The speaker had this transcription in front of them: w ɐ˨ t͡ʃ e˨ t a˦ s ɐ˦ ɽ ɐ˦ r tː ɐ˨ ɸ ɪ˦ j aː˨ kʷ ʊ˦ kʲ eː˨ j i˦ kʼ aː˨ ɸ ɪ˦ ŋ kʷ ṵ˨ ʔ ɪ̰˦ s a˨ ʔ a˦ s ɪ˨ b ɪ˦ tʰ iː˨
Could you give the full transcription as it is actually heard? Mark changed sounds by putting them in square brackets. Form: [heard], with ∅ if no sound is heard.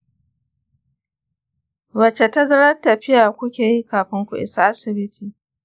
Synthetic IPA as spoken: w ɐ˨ t͡ʃ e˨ t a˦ [z] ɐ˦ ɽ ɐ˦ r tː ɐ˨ ɸ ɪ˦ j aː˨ kʷ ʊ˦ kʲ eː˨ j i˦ [k] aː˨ ɸ ɪ˦ ŋ kʷ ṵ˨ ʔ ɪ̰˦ s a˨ ʔ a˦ s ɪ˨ b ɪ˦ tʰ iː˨

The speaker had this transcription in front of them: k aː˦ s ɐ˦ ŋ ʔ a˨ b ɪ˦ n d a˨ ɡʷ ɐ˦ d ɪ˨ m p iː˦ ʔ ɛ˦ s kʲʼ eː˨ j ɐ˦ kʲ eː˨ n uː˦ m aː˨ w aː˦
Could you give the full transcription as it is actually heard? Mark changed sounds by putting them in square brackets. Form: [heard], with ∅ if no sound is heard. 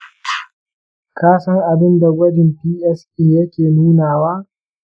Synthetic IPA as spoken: k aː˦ s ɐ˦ ŋ ʔ a˨ b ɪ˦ n d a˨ ɡʷ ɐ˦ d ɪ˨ m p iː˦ ʔ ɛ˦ s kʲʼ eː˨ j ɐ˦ kʲ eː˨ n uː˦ [n] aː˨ w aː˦

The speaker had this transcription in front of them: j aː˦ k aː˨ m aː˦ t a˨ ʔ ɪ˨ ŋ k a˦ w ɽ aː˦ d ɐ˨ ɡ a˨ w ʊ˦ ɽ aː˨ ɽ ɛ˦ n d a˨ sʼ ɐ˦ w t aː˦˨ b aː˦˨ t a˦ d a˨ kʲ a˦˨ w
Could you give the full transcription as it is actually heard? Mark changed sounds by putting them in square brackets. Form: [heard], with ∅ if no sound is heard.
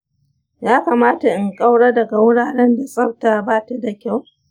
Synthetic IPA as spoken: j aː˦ k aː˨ m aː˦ t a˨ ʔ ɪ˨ ŋ [kʼ] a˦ w ɽ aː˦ d ɐ˨ ɡ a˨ w ʊ˦ ɽ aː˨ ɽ ɛ˦ n d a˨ sʼ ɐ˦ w t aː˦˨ b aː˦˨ t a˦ d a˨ kʲ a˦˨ w

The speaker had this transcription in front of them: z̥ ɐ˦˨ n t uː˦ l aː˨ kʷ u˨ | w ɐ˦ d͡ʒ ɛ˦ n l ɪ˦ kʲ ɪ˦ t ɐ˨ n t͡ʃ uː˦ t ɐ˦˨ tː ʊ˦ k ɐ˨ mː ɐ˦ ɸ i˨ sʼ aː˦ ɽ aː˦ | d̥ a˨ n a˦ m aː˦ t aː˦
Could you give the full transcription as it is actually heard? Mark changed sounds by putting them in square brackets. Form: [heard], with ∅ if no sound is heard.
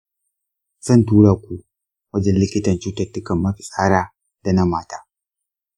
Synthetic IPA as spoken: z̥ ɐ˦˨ n t uː˦ [ɽ] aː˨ kʷ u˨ | w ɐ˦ d͡ʒ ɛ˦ n l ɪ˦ kʲ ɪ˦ t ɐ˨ n t͡ʃ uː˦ t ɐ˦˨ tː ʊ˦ k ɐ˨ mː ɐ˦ ɸ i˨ sʼ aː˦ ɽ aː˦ | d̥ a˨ n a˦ m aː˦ t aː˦

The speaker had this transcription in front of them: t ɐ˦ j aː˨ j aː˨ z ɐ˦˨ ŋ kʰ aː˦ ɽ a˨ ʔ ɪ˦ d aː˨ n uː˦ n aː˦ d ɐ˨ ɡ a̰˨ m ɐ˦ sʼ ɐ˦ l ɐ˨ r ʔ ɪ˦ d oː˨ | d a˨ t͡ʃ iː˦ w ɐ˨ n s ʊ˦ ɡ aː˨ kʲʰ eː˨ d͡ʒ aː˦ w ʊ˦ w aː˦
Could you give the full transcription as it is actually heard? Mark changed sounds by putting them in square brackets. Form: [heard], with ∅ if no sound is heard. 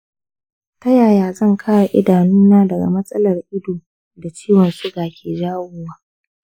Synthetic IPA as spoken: t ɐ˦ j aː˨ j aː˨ z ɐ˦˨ ŋ kʰ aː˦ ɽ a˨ ʔ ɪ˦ d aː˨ n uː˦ n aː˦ d ɐ˨ ɡ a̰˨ m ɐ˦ sʼ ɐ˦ l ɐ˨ r ʔ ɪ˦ d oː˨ | d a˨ t͡ʃ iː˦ w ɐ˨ n s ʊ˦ ɡ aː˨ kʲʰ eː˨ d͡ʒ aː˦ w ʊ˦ w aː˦

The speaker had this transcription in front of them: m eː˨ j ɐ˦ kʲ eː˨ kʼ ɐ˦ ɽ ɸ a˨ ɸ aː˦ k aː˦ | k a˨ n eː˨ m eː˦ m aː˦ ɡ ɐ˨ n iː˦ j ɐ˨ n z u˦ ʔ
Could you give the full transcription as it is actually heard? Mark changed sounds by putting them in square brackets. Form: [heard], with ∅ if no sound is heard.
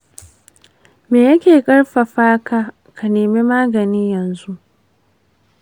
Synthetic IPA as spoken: m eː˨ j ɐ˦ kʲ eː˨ kʼ ɐ˦ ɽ ɸ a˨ ɸ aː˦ k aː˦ | k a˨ n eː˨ m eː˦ m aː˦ ɡ ɐ˨ n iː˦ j ɐ˨ n z u˦ ʔ

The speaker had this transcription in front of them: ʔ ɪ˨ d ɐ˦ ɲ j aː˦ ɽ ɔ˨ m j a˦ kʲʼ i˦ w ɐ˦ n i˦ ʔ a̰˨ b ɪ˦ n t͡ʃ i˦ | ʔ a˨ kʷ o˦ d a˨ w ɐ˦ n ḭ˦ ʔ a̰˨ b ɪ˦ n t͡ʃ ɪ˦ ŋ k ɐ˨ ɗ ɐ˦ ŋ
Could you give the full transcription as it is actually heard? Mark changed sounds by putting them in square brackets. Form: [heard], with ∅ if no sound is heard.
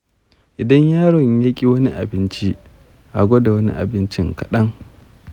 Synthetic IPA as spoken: ʔ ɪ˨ d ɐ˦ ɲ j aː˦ ɽ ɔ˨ [ɲ] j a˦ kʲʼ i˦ w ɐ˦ n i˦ ʔ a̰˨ b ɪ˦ n t͡ʃ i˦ | ʔ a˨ [ɡʷ] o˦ d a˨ w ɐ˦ n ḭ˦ ʔ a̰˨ b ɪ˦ n t͡ʃ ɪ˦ ŋ k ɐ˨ ɗ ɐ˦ ŋ

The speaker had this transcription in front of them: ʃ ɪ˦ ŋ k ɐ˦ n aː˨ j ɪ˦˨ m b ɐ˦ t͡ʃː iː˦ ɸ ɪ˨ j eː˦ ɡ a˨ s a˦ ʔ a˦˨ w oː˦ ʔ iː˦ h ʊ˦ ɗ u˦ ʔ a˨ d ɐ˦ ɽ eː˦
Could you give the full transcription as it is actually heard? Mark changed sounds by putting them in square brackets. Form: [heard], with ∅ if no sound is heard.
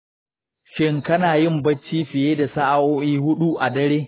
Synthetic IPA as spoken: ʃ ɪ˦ ŋ k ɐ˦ n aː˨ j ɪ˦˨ m b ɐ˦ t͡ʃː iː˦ ɸ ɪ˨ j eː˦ [d] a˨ s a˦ ʔ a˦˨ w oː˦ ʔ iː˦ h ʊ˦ ɗ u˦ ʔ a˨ d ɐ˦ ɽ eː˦

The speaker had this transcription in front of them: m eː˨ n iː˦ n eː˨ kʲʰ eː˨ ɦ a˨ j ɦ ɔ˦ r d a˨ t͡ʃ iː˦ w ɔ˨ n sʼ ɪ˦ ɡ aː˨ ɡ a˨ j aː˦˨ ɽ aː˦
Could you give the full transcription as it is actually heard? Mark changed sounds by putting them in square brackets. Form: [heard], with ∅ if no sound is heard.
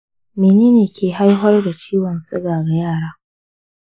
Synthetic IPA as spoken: m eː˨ n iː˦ n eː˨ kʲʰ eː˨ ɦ [a˦] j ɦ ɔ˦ r d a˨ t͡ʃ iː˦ w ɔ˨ n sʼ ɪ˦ ɡ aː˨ ɡ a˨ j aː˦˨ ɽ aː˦

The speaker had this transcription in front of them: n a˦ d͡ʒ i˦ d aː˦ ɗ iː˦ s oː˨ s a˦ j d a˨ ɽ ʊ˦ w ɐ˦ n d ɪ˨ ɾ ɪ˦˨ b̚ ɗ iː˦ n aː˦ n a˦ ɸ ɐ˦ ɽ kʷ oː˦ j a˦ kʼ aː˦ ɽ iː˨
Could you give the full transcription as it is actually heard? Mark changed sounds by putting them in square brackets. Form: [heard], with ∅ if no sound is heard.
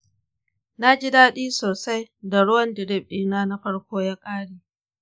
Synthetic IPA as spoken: n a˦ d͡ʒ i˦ d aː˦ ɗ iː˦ s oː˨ s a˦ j d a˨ ɽ ʊ˦ w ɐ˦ n d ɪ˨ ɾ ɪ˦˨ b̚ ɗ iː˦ n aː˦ n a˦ ɸ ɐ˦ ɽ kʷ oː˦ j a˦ kʼ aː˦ ɽ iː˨

